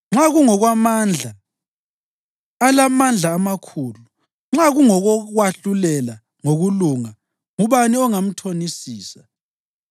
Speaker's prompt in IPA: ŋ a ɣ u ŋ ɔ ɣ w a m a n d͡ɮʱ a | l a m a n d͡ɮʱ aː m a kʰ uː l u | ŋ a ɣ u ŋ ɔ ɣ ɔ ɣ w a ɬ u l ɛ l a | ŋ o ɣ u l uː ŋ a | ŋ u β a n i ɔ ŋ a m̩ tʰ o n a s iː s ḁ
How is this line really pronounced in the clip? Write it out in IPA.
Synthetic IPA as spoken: ŋ͡ǁ a ɣ u ŋ ɔ ɣ w a m a n d͡ɮʱ a | l a m a n d͡ɮʱ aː m a kʰ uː l u | ŋ͡ǁ a ɣ u ŋ ɔ ɣ ɔ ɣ w a ɬ u l ɛ l a | ŋ o ɣ u l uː ŋ a | ŋ u β a n i ɔ ŋ a m̩ tʰ o n i s iː s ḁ